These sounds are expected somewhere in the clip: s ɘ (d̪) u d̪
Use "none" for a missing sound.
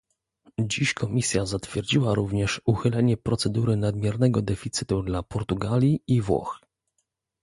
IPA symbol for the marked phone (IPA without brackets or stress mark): t̪